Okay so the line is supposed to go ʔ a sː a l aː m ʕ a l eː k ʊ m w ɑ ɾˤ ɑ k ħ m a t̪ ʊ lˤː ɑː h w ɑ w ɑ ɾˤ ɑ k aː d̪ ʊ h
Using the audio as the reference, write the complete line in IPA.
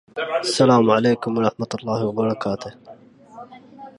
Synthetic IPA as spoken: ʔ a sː a l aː m ʕ a l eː k ʊ m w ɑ ɾˤ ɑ ħ m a t̪ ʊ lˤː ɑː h w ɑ b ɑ ɾˤ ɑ k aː t̪ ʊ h

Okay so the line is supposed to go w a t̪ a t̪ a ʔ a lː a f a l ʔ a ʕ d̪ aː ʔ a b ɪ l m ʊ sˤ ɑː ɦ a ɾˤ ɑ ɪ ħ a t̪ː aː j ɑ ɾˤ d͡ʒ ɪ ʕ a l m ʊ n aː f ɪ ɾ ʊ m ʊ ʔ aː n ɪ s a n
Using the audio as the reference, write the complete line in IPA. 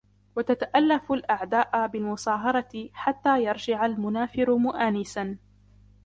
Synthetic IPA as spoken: w a t̪ a t̪ a ʔ a lː a f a l ʔ a ʕ d̪ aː ʔ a b ɪ l m ʊ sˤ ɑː ɦ ɑ ɾˤ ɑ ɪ ħ a t̪ː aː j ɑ ɾˤ d͡ʒ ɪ ʕ a l m ʊ n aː f ɪ ɾ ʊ m ʊ ʔ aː n ɪ s a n

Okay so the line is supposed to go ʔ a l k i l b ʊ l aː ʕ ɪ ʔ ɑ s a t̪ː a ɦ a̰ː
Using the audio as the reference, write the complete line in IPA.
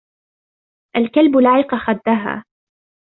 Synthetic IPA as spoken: ʔ a l k a l b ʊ l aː ʕ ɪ q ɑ x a d̪ː a ɦ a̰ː

